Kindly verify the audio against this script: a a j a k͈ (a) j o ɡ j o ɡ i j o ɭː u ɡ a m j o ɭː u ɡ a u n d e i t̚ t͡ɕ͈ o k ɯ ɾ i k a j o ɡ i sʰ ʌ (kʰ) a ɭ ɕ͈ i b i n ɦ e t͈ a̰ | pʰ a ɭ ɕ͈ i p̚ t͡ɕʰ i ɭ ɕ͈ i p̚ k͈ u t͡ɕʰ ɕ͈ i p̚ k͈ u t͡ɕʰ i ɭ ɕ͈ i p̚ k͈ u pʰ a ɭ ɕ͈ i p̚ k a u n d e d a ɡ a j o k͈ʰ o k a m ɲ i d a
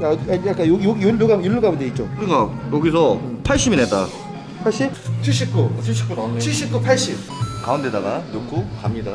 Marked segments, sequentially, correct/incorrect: correct, incorrect

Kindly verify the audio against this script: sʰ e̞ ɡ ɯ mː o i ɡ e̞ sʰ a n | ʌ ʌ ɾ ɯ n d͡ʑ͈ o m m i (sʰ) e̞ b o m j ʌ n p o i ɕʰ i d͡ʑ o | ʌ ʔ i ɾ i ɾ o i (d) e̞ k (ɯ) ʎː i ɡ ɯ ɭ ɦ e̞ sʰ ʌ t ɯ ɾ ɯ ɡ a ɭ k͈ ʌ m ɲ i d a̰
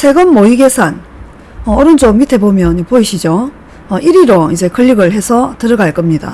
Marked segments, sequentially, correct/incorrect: incorrect, incorrect, correct

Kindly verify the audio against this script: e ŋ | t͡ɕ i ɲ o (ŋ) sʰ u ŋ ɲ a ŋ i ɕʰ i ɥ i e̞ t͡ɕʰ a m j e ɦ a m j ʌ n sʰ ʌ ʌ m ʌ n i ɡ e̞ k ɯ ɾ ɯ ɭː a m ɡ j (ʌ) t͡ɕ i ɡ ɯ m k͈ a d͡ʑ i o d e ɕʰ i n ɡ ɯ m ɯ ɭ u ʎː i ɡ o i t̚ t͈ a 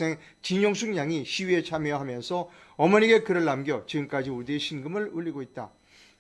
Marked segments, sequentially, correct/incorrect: correct, correct

